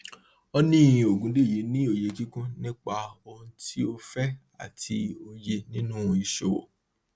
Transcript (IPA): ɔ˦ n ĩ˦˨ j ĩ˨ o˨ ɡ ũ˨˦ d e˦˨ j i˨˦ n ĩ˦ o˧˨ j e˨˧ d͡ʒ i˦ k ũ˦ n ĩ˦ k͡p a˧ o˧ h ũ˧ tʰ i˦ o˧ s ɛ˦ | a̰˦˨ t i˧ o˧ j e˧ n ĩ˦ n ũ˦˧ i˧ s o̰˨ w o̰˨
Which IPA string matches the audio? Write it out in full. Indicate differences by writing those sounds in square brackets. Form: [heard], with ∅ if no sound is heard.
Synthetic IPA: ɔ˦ n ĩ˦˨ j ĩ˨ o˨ ɡ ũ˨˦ d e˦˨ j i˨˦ n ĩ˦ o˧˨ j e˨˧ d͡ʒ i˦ k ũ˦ n ĩ˦ k͡p a˧ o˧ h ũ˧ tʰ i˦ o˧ [f] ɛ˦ | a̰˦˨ t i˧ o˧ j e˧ n ĩ˦ n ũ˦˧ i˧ [ʃ] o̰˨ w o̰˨